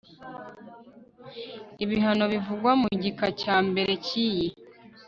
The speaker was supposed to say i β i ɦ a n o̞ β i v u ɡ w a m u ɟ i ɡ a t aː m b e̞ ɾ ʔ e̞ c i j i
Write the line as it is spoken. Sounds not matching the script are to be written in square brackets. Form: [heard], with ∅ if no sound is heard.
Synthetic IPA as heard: i β i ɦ a n o̞ β i v u ɡ w a m u ɟ i [k] a [c] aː m b e̞ ɾ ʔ e̞ c i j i